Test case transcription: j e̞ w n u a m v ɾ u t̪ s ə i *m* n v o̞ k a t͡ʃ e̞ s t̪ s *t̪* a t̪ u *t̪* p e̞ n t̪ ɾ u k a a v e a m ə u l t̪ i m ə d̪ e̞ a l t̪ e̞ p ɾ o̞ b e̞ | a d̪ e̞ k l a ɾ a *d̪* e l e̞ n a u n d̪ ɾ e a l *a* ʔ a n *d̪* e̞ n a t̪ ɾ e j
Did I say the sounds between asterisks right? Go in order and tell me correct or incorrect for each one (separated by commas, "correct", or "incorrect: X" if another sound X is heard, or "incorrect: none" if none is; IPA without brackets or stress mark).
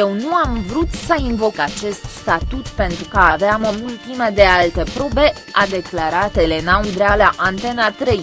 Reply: incorrect: none, correct, correct, incorrect: t̪, correct, incorrect: t̪